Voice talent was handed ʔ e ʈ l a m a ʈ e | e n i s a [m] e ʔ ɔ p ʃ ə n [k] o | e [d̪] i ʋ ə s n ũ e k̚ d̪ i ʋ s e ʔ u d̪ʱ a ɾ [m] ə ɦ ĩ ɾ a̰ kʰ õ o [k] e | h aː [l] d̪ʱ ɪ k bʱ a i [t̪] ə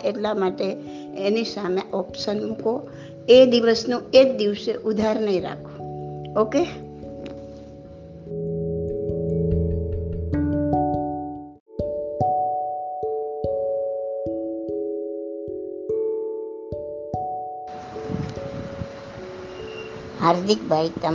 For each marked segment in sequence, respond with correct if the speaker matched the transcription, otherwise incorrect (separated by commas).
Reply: correct, correct, correct, incorrect, correct, incorrect, correct